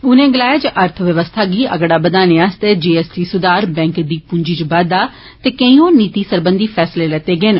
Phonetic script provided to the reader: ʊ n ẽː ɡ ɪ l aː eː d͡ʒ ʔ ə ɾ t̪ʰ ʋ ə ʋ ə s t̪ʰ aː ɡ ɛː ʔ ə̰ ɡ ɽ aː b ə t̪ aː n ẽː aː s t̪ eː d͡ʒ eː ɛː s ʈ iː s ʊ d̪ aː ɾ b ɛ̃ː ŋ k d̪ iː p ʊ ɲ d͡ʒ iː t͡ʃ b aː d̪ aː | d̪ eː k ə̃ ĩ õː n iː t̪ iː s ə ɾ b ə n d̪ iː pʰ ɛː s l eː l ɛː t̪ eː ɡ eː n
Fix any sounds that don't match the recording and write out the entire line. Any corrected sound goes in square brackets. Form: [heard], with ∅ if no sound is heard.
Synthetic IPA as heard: ʊ n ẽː ɡ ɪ l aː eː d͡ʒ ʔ ə ɾ t̪ʰ ʋ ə ʋ ə s t̪ʰ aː ɡ [iː] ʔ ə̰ ɡ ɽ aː b ə [d̪] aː n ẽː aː s t̪ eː d͡ʒ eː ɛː s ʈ iː s ʊ d̪ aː ɾ b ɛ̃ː ŋ k d̪ iː p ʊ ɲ d͡ʒ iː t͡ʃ b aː d̪ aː | [t̪] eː k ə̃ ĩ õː n iː t̪ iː s ə ɾ b ə n d̪ iː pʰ ɛː s l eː l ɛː t̪ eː ɡ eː n